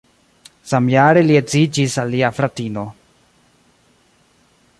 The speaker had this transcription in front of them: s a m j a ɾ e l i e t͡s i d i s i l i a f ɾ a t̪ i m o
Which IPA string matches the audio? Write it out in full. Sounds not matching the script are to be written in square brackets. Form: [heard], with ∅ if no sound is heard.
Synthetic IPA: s a m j a ɾ e l i e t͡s i [d͡ʒ] i s [a] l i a f ɾ a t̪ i [n] o